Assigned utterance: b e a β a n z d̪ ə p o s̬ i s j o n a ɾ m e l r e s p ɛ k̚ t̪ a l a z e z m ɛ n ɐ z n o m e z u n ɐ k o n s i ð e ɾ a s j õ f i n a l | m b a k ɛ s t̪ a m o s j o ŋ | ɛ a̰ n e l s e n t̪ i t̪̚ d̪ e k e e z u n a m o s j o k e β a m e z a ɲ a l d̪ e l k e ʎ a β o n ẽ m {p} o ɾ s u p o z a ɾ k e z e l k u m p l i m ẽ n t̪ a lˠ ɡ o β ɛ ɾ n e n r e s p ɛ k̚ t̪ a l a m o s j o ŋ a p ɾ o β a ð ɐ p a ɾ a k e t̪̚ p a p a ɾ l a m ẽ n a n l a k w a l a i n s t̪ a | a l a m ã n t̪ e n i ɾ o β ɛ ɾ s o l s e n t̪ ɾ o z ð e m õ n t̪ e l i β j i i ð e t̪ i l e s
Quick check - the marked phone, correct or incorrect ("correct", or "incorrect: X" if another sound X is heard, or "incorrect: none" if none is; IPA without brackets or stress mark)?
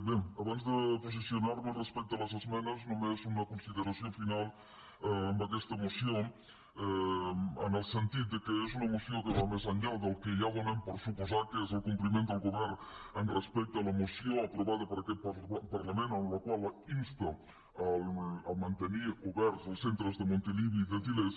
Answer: correct